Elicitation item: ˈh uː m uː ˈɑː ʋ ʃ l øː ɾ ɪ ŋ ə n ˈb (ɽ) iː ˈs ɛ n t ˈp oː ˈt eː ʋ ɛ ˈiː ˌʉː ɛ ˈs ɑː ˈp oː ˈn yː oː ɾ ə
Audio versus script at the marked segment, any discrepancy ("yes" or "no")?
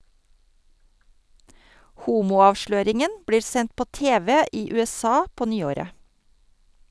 no